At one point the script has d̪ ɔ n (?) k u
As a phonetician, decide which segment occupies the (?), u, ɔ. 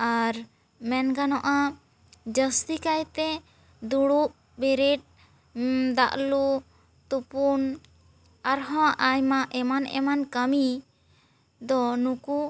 u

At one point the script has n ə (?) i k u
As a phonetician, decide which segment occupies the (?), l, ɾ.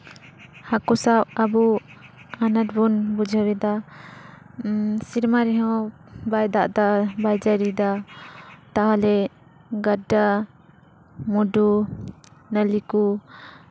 l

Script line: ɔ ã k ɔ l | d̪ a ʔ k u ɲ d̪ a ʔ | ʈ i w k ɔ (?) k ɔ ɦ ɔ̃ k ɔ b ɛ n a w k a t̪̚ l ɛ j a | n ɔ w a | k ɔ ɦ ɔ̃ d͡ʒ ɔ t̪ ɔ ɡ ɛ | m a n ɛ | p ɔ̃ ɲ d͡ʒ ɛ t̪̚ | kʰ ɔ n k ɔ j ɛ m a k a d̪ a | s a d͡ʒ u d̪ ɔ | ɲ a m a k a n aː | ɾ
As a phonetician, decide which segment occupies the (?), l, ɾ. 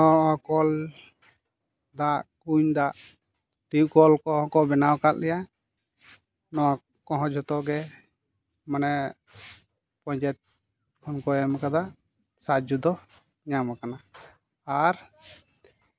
l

